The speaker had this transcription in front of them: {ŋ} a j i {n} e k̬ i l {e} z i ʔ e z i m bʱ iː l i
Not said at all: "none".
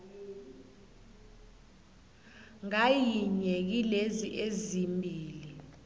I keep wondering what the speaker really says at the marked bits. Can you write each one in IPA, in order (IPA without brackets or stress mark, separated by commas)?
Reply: ŋ, ɲ, e